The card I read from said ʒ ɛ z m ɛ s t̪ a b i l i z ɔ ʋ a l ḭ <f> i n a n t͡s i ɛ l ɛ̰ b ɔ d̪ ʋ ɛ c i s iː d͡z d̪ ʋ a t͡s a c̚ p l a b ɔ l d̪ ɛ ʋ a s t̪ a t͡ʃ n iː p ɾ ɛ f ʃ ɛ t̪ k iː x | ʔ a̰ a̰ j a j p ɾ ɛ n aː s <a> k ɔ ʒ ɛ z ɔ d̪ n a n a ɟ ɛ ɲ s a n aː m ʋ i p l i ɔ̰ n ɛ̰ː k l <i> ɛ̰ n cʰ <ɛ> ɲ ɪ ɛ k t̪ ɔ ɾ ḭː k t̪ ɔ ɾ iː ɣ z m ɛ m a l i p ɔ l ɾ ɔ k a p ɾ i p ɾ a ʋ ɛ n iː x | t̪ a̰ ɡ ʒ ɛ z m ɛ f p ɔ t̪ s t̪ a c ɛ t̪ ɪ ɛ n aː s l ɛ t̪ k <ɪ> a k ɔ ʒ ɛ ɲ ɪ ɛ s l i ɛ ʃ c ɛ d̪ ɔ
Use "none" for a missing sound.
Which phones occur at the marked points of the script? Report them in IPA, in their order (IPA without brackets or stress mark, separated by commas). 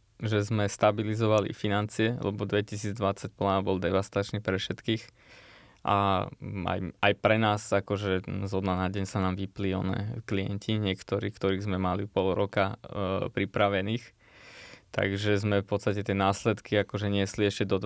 f, a, i, i, i